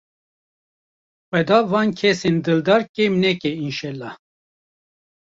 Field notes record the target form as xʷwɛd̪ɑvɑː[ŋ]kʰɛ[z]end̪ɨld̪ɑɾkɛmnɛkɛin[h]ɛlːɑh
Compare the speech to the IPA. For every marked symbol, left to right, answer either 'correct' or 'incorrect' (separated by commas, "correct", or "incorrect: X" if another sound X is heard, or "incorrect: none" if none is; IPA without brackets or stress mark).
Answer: incorrect: n, incorrect: s, incorrect: ʃ